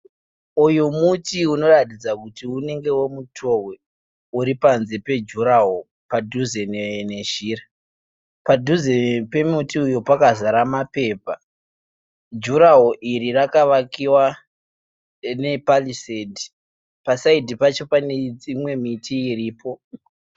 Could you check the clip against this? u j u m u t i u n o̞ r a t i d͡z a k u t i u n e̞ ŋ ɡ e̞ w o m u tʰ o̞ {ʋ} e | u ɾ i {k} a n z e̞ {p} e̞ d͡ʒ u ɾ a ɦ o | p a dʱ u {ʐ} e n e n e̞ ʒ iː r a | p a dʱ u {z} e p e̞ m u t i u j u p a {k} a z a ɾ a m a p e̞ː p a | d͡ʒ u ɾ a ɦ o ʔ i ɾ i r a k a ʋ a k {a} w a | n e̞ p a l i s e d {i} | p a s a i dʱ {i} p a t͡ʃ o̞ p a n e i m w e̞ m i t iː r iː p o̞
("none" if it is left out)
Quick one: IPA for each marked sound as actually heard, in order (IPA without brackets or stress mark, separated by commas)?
w, p, p, z, z, k, i, i, i